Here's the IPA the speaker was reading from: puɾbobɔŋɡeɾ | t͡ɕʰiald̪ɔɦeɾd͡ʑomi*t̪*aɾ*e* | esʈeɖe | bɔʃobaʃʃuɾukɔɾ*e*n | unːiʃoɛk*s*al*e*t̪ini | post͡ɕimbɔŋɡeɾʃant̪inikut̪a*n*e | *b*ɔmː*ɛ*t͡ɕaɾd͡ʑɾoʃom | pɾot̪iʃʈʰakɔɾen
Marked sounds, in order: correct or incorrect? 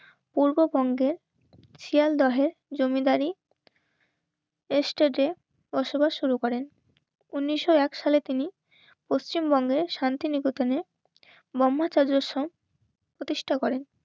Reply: incorrect, incorrect, correct, incorrect, correct, correct, correct, incorrect

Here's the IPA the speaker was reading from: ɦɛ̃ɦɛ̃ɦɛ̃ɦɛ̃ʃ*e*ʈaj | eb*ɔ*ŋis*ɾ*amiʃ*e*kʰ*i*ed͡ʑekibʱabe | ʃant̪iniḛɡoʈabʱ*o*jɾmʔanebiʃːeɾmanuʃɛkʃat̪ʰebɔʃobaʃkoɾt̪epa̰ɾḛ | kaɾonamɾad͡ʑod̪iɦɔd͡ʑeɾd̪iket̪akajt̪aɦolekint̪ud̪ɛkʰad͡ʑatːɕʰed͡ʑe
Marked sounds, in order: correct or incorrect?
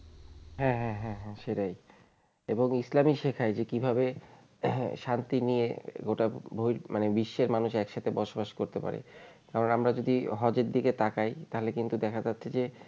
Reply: correct, incorrect, incorrect, correct, incorrect, correct

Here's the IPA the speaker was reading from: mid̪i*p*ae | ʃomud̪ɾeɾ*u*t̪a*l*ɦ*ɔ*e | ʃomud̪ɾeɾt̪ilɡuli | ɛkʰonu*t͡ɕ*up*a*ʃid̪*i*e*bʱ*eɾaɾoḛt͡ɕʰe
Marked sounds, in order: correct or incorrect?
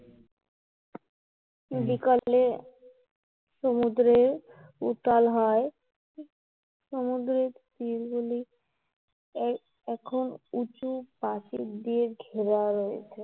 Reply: incorrect, correct, correct, correct, correct, correct, correct, incorrect

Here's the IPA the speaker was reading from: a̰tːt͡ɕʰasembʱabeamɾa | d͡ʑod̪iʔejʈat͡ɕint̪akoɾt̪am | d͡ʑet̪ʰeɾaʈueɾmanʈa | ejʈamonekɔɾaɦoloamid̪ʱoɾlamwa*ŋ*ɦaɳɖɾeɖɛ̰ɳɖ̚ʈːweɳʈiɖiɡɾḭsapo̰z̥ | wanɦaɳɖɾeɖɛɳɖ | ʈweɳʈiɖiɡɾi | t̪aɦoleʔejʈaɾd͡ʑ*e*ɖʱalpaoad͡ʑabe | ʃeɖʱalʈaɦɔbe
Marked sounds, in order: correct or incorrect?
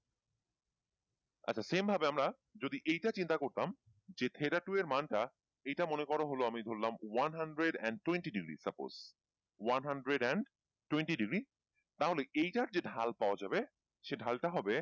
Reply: incorrect, correct

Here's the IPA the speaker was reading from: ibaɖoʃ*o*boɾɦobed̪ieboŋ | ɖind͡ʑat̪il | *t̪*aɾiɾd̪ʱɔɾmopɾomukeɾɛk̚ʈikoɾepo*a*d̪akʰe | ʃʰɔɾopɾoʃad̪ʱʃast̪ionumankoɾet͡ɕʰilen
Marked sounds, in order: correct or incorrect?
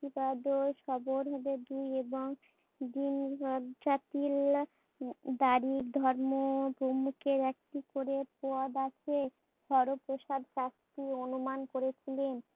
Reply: incorrect, incorrect, correct

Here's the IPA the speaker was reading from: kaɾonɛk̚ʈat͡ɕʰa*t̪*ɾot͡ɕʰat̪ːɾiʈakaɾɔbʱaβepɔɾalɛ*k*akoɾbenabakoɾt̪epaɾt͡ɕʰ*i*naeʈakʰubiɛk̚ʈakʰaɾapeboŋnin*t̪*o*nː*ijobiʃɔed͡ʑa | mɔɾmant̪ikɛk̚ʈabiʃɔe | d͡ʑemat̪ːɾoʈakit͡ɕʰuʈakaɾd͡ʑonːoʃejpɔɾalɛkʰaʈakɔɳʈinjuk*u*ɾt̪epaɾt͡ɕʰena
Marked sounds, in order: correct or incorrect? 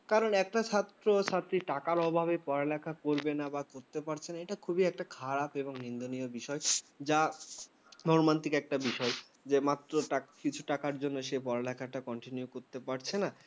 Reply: correct, incorrect, incorrect, incorrect, incorrect, incorrect

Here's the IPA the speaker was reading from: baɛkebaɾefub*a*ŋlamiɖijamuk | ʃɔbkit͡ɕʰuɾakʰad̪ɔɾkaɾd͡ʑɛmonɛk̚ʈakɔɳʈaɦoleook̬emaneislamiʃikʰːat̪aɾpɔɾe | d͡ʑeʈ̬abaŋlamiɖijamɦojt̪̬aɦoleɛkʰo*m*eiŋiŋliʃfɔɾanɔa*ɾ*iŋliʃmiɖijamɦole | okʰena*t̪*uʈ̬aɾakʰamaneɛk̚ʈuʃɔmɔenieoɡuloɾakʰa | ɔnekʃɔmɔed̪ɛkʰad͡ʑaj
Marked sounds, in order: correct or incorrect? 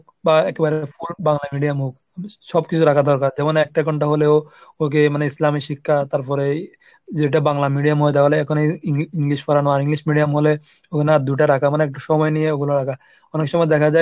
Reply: correct, incorrect, correct, incorrect

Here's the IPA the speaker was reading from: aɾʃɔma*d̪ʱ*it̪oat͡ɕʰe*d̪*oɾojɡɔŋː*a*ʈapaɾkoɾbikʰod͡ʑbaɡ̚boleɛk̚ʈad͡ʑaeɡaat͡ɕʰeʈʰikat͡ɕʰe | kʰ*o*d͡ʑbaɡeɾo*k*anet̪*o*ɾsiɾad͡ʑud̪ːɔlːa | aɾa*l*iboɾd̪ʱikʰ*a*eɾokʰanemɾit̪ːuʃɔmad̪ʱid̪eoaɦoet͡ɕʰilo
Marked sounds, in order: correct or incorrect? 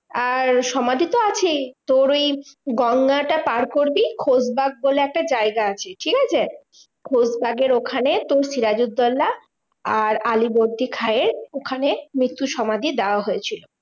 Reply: correct, incorrect, correct, correct, incorrect, correct, correct, correct

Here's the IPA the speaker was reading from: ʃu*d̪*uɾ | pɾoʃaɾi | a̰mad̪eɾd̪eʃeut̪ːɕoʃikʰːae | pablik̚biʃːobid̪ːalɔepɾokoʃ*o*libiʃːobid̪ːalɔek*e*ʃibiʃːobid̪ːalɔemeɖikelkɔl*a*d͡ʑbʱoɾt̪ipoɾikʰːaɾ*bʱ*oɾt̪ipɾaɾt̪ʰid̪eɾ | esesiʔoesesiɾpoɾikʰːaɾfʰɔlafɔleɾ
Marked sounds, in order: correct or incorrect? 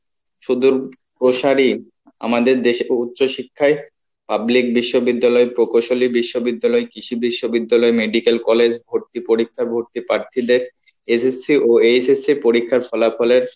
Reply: correct, correct, incorrect, incorrect, correct

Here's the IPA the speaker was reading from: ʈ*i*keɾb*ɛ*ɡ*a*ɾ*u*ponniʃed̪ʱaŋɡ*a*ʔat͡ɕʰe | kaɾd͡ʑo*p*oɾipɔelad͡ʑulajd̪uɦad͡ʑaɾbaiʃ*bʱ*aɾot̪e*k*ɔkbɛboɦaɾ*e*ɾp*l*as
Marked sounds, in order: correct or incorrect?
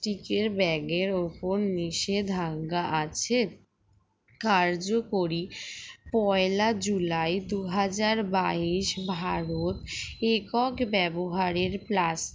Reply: correct, correct, incorrect, incorrect, correct, incorrect, correct, correct, correct, correct

